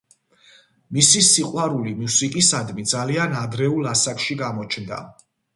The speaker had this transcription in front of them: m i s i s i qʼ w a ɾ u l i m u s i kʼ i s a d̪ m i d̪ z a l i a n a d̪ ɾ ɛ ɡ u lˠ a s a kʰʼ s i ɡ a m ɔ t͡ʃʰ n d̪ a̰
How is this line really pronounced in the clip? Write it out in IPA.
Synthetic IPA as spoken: m i s i s i qʼ w a ɾ u l i m u s i kʼ i s a d̪ m i d̪ z a l i a n a d̪ ɾ ɛ u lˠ a s a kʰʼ ʃ i ɡ a m ɔ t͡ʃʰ n d̪ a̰

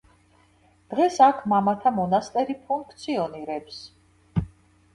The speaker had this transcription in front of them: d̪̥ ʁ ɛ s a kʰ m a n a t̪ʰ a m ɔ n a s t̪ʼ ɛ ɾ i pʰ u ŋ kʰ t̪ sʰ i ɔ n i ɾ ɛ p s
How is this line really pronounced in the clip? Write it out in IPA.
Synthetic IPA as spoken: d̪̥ ʁ ɛ s a kʰ m a m a t̪ʰ a m ɔ n a s t̪ʼ ɛ ɾ i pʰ u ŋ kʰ t̪ sʰ i ɔ n i ɾ ɛ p s

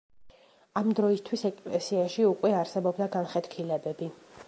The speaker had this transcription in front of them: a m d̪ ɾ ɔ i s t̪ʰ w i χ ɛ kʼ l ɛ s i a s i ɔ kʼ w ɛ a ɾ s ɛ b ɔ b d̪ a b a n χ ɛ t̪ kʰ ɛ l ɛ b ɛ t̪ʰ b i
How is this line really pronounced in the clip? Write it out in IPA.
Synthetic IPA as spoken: a m d̪ ɾ ɔ i s t̪ʰ w i s ɛ kʼ l ɛ s i a ʃ i u kʼ w ɛ a ɾ s ɛ b ɔ b d̪ a ɡ a n χ ɛ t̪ kʰ i l ɛ b ɛ b i

